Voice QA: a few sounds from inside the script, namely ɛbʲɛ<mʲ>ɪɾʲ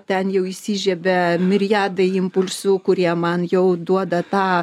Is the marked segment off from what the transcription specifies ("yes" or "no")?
no